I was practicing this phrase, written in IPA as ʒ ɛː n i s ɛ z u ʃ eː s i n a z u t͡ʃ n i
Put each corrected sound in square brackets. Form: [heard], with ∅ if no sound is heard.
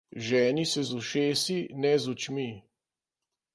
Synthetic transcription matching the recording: ʒ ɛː n i s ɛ z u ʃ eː s i n [ɛ] z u t͡ʃ [m] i